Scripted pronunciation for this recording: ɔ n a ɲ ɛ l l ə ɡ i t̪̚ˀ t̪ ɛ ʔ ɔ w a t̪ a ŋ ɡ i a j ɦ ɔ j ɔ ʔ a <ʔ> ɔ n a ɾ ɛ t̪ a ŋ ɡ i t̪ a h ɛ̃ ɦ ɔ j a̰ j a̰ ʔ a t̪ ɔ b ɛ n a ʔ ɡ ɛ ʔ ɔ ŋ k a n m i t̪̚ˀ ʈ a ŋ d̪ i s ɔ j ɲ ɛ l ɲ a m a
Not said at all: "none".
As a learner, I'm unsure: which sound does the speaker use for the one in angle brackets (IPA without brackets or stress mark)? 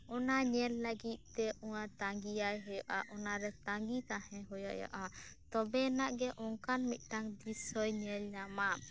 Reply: ʔ